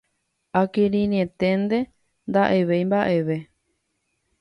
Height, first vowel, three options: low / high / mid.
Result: low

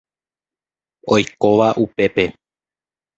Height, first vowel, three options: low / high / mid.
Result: mid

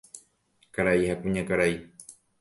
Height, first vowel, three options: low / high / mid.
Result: low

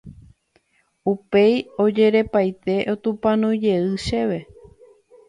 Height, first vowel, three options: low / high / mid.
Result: high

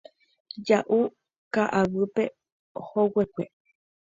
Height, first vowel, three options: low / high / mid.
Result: low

